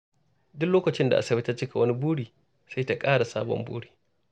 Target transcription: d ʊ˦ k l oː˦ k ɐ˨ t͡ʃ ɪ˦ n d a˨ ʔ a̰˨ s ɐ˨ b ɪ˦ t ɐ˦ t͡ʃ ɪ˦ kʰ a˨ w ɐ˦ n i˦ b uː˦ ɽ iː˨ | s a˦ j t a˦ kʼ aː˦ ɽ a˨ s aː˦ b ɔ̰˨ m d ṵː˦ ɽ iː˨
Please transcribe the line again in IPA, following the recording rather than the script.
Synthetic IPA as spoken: d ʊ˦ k l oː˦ k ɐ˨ t͡ʃ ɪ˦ n d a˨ ʔ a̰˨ s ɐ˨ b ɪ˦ t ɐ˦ t͡ʃ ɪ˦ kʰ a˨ w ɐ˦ n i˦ b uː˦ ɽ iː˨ | s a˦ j t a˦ kʼ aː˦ ɽ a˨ s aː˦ b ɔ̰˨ m b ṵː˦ ɽ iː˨